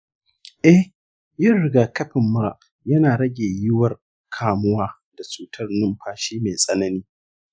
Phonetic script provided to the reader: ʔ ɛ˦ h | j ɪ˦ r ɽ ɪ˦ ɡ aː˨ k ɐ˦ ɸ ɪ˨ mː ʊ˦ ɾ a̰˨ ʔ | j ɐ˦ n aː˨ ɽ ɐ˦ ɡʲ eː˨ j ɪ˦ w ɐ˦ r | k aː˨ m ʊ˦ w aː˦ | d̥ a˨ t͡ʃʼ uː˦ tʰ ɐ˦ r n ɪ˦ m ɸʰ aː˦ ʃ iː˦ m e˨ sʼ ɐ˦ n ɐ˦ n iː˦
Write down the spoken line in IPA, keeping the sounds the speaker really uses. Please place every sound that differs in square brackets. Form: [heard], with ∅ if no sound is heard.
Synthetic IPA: ʔ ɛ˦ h | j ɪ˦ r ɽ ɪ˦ ɡ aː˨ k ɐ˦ ɸ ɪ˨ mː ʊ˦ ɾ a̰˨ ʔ | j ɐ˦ n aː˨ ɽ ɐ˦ ɡʲ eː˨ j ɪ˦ w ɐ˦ r | [kʰ] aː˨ m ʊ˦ w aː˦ | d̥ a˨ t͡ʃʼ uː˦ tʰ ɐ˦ r n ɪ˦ m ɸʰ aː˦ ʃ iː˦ m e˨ sʼ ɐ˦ n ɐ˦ n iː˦